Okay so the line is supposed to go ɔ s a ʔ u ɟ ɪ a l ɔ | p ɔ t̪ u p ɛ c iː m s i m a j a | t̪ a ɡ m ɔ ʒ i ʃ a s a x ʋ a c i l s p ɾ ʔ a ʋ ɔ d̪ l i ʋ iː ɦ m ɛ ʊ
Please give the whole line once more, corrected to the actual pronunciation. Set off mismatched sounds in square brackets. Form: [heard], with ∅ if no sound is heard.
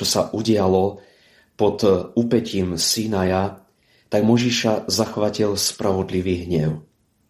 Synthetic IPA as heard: ɔ s a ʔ u ɟ ɪ a l ɔ | p ɔ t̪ u p ɛ c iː m s i [n] a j a | t̪ a ɡ m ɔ ʒ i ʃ a [z] a x ʋ a c i l s p ɾ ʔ a ʋ ɔ d̪ l i ʋ iː ɦ [ɲ] ɛ ʊ